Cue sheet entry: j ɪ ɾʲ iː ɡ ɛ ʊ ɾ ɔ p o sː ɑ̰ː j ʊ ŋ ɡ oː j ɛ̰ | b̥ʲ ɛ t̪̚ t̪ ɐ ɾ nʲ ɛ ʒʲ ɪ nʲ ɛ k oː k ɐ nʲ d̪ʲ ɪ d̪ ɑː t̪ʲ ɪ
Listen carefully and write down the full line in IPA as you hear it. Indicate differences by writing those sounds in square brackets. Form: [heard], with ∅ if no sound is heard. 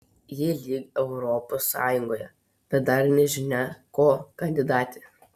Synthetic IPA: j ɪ [lʲ] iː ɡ ɛ ʊ ɾ ɔ p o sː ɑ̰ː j ʊ ŋ ɡ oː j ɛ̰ | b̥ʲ ɛ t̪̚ [d̪] ɐ ɾ nʲ ɛ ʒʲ ɪ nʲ ɛ k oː k ɐ nʲ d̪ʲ ɪ d̪ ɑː t̪ʲ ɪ